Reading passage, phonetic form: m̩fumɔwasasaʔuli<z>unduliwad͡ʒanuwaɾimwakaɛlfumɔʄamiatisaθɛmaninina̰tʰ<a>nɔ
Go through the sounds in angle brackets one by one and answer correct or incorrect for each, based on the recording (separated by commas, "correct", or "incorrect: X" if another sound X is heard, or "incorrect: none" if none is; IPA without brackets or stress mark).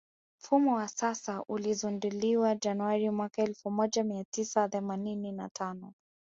correct, correct